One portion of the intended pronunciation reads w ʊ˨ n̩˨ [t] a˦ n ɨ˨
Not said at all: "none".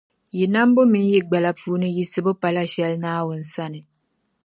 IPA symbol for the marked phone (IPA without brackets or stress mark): s